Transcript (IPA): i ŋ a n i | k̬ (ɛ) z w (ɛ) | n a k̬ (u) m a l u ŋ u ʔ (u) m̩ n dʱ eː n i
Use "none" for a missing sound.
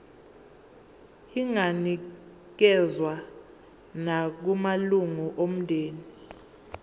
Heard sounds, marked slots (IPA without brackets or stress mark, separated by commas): ɛ, a, u, o